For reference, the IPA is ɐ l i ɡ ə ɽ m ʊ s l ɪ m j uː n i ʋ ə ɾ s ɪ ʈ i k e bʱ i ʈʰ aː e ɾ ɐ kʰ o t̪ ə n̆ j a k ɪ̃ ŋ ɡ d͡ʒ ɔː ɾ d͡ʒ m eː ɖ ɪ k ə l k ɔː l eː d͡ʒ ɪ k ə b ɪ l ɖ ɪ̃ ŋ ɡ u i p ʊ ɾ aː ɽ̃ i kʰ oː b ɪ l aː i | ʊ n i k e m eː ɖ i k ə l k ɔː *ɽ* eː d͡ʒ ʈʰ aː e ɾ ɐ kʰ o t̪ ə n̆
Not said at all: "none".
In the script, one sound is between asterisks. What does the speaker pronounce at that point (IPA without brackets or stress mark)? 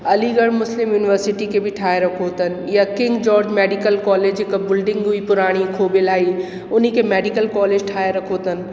l